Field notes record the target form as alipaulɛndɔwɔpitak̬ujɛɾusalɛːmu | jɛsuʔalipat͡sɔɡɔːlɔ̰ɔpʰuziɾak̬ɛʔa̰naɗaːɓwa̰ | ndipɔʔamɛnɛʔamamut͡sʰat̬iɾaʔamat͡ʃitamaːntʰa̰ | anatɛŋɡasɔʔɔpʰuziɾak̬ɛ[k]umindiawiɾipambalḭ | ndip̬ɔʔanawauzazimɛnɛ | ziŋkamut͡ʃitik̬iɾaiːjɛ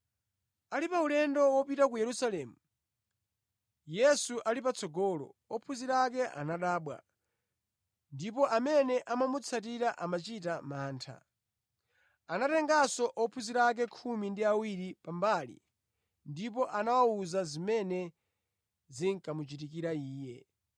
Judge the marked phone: incorrect: kʰ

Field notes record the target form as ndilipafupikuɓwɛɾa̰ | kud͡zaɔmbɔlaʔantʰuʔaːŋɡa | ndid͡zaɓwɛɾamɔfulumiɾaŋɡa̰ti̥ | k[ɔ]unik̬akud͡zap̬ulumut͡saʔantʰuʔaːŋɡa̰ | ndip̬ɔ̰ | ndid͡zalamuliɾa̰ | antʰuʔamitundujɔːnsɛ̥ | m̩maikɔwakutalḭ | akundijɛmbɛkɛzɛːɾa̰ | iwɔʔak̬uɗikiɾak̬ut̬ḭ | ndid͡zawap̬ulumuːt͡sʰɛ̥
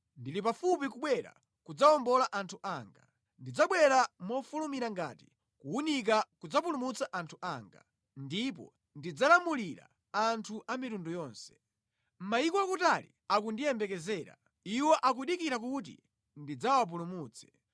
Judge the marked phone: incorrect: u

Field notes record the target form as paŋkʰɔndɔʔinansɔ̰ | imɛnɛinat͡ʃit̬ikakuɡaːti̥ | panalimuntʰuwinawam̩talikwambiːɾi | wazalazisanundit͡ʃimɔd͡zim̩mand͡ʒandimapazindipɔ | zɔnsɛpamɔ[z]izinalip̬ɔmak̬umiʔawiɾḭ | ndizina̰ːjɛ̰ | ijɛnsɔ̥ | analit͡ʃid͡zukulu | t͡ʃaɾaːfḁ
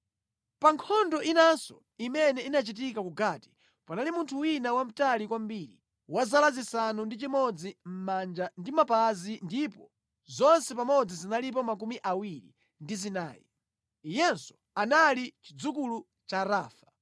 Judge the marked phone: incorrect: d͡z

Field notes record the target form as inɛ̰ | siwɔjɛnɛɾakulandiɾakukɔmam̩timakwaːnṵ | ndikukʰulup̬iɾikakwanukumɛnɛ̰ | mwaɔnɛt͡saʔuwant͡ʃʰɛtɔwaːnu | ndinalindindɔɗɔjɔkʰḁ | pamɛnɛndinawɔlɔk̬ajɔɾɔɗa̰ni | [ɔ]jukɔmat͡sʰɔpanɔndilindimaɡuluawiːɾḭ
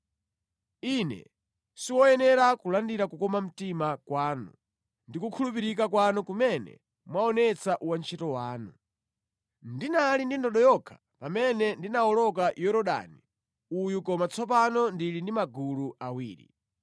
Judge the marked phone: incorrect: u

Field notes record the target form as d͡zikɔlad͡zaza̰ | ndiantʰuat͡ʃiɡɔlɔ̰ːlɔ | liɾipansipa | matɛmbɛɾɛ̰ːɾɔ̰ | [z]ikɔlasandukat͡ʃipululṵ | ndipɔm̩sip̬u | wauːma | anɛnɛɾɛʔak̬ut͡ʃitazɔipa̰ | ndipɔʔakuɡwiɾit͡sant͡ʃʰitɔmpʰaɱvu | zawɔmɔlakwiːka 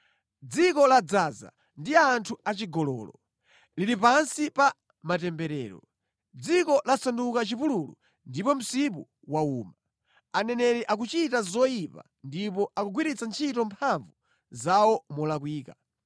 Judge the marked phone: incorrect: d͡z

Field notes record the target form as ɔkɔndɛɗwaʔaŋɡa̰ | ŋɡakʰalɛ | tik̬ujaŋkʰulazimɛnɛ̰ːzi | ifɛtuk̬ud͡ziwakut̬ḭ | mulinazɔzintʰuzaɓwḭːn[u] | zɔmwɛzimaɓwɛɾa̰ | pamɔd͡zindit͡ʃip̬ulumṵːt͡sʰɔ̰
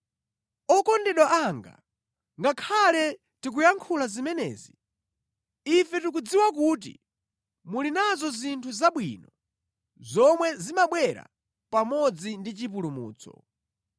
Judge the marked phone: incorrect: ɔ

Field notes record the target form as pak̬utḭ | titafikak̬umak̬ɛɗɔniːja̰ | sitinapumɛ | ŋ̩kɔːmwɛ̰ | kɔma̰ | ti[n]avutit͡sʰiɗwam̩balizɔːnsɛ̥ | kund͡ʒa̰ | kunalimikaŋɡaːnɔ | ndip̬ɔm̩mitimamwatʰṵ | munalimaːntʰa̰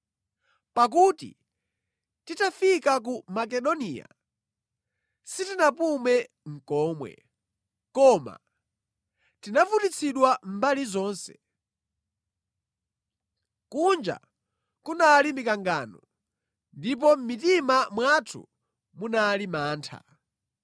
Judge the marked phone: correct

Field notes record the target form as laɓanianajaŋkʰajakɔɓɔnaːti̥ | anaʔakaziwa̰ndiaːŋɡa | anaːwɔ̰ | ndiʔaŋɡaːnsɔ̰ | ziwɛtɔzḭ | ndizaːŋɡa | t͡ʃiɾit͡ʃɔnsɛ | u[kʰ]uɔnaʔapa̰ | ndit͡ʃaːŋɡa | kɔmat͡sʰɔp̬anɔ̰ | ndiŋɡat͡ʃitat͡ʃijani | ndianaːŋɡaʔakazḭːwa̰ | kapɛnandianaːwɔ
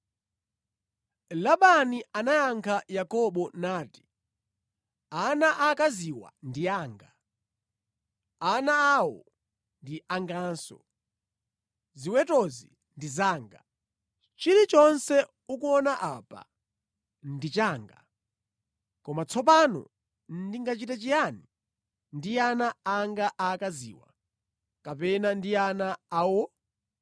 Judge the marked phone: incorrect: k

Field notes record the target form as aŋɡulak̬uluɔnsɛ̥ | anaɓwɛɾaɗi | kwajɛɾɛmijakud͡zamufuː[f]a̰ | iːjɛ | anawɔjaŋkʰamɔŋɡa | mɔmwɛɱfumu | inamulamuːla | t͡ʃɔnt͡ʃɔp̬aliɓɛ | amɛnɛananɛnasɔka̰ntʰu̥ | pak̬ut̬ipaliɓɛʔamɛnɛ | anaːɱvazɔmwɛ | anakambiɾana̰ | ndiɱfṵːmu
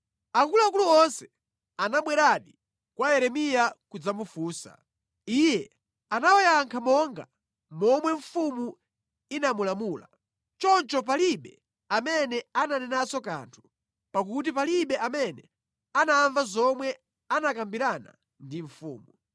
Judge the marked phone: incorrect: s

